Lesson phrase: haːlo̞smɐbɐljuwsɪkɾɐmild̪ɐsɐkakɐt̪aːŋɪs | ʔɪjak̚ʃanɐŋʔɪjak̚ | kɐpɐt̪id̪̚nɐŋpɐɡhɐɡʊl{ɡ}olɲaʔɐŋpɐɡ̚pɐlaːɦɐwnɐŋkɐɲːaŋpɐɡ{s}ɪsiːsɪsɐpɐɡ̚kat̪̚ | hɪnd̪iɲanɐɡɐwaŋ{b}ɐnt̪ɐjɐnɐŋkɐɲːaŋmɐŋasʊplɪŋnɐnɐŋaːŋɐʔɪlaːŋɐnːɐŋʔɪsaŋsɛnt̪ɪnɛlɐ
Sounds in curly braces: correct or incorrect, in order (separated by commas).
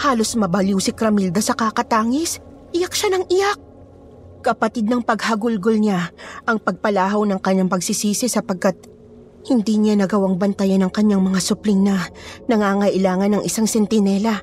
correct, correct, correct